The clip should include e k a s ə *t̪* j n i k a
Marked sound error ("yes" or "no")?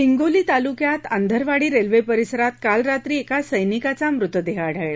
yes